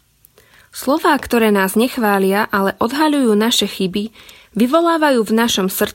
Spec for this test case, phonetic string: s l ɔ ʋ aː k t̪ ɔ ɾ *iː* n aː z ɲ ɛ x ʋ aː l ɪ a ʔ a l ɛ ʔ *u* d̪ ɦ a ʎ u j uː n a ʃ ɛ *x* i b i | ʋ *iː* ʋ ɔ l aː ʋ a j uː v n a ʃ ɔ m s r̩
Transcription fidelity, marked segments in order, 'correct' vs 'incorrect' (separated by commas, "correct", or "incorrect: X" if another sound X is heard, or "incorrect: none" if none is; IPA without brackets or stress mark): incorrect: ɛː, incorrect: ɔ, correct, incorrect: i